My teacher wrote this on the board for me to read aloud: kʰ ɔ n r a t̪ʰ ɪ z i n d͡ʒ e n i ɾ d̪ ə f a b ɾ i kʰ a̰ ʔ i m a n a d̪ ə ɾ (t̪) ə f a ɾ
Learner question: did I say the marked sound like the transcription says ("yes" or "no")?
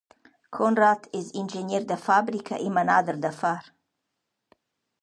no